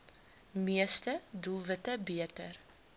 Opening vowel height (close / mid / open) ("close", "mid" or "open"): close